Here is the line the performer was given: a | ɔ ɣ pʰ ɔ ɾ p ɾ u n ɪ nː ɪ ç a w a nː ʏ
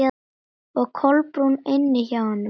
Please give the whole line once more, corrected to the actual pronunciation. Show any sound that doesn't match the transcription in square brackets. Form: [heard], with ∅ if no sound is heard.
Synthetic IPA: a | ɔ ɣ [kʰ] ɔ [l] p ɾ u n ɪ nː ɪ ç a w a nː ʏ